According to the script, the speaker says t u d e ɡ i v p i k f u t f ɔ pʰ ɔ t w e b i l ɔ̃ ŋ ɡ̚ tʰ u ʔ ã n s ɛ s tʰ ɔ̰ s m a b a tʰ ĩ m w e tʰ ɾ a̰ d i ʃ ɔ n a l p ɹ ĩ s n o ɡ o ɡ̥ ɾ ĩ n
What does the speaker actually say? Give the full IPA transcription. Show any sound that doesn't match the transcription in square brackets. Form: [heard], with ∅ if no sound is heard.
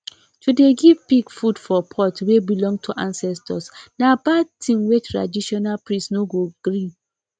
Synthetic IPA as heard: t u d e ɡ i v p i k f u [d] f ɔ pʰ ɔ t w e b i l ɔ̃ ŋ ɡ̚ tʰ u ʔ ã n s ɛ s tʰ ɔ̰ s [n] a b a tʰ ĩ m w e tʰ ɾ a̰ d i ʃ ɔ n a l p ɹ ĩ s n o ɡ o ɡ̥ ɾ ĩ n